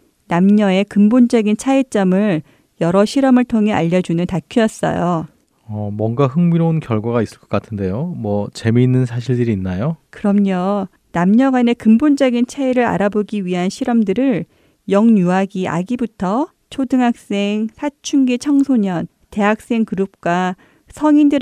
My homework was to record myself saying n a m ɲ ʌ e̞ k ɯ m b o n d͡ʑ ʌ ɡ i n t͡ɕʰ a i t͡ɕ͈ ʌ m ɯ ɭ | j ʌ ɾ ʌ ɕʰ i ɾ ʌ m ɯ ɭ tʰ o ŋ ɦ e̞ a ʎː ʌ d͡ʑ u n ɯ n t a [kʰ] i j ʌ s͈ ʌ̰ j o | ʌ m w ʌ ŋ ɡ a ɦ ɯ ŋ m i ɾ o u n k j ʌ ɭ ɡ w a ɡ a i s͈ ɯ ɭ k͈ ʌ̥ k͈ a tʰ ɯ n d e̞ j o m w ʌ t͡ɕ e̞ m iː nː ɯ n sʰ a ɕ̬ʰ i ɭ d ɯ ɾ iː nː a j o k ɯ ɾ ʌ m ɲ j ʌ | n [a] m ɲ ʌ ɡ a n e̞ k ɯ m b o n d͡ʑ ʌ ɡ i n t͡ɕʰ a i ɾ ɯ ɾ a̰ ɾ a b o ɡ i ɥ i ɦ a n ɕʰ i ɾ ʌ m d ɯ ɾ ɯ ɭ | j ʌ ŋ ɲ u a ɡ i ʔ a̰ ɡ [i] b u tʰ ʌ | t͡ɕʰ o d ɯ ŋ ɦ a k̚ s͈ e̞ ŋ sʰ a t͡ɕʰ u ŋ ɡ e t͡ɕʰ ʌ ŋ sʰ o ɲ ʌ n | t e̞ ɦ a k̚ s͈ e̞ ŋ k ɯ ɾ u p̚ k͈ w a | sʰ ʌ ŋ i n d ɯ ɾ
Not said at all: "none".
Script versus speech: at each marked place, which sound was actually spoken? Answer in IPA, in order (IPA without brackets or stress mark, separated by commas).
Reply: kʰ, a, i